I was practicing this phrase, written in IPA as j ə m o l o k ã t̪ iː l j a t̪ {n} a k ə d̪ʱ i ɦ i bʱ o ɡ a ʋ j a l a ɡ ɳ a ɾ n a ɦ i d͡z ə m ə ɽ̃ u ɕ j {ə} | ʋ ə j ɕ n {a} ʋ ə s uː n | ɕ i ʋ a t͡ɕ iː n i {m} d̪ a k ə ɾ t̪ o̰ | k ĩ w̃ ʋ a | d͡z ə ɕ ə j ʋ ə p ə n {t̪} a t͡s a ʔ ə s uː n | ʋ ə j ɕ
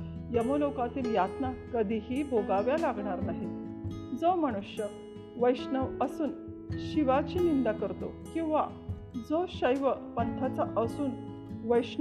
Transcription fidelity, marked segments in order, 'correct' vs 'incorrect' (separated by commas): correct, correct, incorrect, incorrect, incorrect